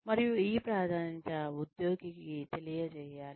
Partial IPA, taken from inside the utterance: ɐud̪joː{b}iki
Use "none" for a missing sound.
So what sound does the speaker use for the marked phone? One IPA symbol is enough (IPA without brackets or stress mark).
ɡ